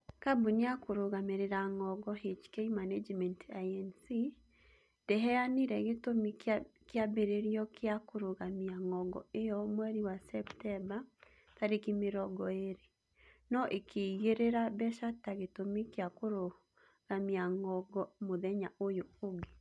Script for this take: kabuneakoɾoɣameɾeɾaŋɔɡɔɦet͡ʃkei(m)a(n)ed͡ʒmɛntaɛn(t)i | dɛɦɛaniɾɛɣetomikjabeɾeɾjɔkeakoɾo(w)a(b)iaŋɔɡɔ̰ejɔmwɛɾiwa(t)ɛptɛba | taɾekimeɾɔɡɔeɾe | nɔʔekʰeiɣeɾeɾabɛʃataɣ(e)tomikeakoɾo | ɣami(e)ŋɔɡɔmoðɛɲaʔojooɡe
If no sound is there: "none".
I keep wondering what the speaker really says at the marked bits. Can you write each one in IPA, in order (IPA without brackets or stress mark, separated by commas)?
m, n, s, ɣ, m, s, e, a